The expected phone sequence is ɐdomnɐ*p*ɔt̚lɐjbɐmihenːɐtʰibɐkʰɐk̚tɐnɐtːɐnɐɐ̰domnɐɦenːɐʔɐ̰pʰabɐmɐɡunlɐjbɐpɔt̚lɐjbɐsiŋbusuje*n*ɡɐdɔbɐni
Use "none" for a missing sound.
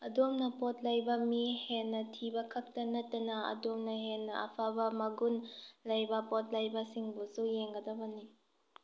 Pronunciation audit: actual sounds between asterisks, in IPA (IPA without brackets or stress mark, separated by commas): p, ŋ